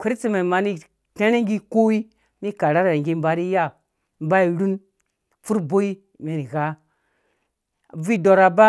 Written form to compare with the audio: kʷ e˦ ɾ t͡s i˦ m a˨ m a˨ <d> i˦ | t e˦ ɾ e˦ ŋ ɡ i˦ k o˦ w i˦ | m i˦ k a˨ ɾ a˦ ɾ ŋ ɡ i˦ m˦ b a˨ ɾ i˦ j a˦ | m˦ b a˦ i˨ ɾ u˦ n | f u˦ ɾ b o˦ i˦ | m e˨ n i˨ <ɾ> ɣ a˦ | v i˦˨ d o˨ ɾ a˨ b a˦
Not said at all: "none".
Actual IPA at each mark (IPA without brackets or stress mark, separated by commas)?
n, none